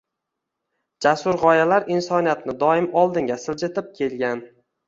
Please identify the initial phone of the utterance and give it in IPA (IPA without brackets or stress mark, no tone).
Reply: d͡ʒ